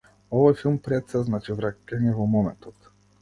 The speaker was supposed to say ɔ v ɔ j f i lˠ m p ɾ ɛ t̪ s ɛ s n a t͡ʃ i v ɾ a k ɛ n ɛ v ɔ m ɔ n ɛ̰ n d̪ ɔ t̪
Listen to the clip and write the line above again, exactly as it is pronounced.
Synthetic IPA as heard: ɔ v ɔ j f i lˠ m p ɾ ɛ t̪ s ɛ z n a t͡ʃ i v ɾ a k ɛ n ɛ v ɔ m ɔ m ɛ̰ n t̪ ɔ t̪

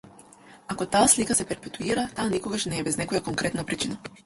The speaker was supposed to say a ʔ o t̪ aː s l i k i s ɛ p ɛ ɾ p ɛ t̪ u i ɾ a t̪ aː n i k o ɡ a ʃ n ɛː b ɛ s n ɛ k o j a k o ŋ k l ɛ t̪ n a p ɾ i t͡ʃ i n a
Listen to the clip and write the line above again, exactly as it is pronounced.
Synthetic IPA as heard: a k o t̪ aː s l i k a s ɛ p ɛ ɾ p ɛ t̪ u i ɾ a t̪ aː n i k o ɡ a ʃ n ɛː b ɛ z n ɛ k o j a k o ŋ k ɾ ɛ t̪ n a p ɾ i t͡ʃ i n a

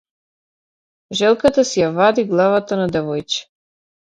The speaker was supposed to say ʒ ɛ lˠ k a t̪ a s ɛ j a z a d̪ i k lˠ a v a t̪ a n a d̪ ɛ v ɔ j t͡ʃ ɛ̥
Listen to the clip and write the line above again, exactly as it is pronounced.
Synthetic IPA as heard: ʒ ɛ lˠ k a t̪ a s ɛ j a v a d̪ i ɡ lˠ a v a t̪ a n a d̪ ɛ v ɔ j t͡ʃ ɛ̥

